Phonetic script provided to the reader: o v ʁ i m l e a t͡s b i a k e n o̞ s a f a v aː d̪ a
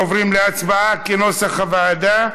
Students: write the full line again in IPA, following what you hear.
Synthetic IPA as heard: o v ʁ i m l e a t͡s b a a k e n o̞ s a χ a v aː d̪ a